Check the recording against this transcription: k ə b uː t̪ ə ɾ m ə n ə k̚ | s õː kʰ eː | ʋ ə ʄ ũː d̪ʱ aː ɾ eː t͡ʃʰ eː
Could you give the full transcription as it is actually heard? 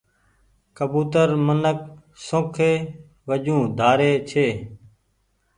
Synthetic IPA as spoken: k ə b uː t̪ ə ɾ m ə n ə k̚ | s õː kʰ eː | ʋ ə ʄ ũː d̪ʱ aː ɾ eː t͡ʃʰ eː